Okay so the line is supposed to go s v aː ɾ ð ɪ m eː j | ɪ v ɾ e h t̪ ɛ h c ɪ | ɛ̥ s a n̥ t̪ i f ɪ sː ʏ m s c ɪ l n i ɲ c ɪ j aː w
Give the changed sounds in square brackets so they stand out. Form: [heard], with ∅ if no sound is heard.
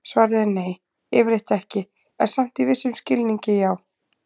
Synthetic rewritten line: s v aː ɾ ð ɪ [n] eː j | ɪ v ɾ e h t̪ ɛ h c ɪ | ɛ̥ s a [m̥] t̪ i [v] ɪ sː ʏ m s c ɪ l n i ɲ c ɪ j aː w